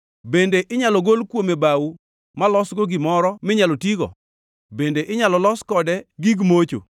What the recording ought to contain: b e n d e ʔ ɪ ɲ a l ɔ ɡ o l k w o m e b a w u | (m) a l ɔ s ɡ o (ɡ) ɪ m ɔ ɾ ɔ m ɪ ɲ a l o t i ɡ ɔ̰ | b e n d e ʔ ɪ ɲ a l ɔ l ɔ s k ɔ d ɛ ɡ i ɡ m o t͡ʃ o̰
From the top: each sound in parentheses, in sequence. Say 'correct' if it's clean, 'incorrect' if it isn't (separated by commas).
correct, correct